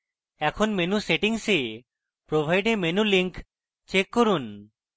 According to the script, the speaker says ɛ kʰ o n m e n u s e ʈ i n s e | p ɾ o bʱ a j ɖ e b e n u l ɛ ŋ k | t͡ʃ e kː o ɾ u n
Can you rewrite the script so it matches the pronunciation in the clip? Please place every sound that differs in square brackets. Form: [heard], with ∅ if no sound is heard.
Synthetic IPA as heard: ɛ kʰ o n m e n u s e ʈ i [ŋ] s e | p ɾ o bʱ a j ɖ e [m] e n u l [i] ŋ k | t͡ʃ e kː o ɾ u n